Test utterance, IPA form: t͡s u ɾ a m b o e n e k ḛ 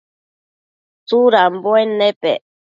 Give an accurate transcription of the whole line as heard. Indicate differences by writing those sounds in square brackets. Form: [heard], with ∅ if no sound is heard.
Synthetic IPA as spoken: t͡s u ɾ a m b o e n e [p] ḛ